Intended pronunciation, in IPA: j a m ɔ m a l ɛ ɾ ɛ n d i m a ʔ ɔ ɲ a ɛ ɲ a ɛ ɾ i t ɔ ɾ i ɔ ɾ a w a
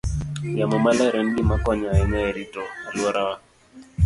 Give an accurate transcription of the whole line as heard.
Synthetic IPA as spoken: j a m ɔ m a l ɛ ɾ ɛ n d i m a k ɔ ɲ a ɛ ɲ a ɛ ɾ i t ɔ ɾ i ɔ ɾ a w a